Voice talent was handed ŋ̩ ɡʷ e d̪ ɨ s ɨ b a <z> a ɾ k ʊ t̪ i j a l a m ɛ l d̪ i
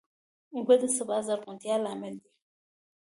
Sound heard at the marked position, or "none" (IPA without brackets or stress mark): z